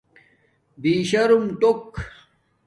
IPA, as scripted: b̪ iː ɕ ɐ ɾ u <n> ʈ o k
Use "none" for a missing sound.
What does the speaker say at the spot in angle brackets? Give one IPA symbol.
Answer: m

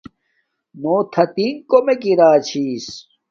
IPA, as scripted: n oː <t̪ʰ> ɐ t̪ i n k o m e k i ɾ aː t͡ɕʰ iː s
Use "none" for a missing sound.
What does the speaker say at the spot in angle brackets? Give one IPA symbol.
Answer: t̪ʰ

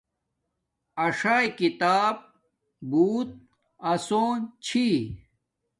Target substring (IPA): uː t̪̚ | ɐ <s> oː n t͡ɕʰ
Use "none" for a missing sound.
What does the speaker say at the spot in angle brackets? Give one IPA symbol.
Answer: s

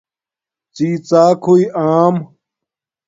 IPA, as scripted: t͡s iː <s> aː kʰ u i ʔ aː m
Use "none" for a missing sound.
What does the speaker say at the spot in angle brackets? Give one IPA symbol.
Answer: t͡s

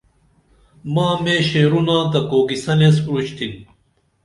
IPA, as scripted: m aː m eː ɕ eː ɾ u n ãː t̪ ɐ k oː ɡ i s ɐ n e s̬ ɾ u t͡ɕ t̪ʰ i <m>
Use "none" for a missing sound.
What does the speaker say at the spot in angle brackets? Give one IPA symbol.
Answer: n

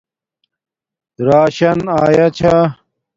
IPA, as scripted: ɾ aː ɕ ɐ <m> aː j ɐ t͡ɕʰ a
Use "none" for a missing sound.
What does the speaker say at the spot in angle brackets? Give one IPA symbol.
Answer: n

